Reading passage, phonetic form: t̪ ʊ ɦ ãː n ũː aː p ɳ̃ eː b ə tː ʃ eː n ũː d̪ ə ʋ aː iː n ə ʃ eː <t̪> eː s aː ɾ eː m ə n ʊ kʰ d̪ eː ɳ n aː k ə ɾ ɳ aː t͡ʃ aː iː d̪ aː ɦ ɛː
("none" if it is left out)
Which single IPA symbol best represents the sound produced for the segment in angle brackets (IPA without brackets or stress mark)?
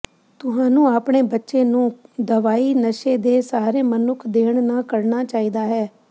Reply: d̪